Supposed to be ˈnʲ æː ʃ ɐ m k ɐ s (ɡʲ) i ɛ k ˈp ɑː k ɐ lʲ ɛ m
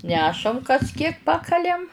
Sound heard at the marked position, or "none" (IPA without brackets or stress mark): kʲ